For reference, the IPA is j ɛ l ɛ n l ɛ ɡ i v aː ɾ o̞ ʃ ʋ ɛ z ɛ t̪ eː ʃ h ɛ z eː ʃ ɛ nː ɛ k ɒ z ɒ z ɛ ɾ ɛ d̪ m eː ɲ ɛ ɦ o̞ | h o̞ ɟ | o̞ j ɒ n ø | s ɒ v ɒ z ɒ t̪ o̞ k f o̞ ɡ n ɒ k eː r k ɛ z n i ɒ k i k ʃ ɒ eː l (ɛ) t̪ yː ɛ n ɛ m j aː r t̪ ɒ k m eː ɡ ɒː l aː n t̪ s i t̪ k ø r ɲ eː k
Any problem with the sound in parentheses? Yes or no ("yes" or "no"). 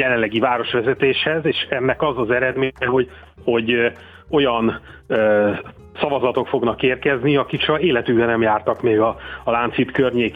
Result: no